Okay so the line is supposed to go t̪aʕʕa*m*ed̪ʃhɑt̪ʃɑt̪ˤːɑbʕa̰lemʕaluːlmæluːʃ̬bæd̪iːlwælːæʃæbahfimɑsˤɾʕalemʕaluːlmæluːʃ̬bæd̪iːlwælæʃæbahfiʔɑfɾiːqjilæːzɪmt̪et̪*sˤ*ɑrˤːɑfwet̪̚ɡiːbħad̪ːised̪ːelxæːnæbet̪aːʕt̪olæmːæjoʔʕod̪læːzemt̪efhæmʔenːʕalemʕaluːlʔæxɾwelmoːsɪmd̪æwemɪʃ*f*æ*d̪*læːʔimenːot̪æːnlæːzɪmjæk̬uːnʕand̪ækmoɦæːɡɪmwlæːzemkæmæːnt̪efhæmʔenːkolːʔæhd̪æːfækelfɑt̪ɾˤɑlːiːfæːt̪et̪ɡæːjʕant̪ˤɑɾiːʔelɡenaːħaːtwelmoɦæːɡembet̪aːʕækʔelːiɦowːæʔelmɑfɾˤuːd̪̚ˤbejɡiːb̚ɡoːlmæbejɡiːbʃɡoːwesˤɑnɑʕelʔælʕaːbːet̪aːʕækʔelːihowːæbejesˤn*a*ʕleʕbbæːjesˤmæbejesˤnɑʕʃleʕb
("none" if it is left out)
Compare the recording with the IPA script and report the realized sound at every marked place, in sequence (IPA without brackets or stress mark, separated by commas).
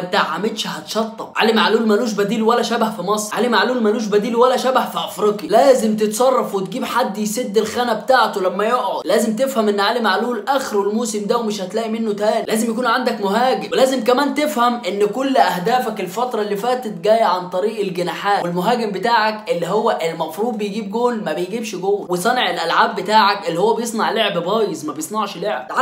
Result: m, sˤ, h, t̪, ɑ